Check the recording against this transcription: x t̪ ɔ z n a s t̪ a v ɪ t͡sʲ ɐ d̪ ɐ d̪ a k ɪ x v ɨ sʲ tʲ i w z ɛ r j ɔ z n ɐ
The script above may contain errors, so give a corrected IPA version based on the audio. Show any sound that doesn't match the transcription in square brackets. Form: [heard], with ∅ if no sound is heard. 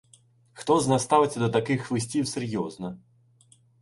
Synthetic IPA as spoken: x t̪ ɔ z n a s t̪ a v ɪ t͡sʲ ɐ d̪ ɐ [t̪] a k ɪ x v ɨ sʲ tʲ i w [s] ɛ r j ɔ z n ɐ